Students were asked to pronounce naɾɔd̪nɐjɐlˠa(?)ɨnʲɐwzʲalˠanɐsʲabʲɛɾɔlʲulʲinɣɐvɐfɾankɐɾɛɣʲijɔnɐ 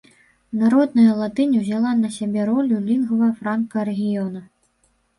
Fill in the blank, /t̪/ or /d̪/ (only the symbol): t̪